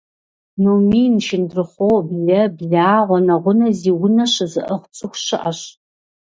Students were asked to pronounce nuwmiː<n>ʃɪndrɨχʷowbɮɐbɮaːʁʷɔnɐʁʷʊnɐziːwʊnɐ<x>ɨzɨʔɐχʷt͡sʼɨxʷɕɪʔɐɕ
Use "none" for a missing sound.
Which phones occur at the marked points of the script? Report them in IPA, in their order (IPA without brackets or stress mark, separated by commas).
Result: n, ɕ